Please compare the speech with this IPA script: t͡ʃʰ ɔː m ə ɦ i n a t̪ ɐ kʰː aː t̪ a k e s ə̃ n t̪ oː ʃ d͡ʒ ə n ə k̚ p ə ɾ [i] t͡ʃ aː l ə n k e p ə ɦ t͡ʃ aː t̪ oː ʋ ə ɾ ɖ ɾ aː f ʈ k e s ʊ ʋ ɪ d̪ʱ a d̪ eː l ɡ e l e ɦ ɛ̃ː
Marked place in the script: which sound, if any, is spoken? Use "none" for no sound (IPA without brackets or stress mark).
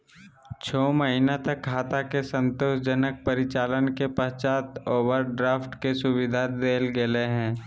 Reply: ɪ